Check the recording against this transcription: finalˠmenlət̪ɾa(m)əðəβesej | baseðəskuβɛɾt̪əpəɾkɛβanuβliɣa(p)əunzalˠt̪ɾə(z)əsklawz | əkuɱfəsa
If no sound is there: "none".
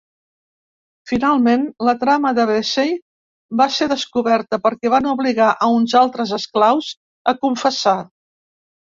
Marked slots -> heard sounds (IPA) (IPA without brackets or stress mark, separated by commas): m, ʔ, z